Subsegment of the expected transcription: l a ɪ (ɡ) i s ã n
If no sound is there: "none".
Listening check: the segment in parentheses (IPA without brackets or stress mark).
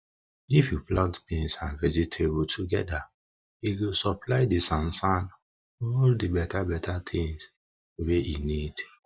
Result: d